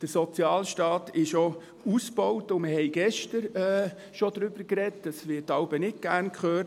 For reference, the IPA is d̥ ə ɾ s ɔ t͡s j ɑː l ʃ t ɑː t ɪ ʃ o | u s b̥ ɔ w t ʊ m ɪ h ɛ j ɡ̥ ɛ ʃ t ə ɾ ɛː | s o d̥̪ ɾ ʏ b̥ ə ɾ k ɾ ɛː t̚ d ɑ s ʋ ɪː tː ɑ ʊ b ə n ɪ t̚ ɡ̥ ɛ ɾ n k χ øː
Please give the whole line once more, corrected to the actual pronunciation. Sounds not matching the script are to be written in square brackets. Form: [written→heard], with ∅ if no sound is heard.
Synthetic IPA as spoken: d̥ ə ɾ s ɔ t͡s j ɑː l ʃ t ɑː t ɪ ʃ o | u s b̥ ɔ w t ʊ m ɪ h ɛ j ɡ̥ ɛ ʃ t ə ɾ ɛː | [s→ʃ] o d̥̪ ɾ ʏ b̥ ə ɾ k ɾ [ɛː→ɛ] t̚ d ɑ s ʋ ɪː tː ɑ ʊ b ə n ɪ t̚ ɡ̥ [ɛ→æ] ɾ n k χ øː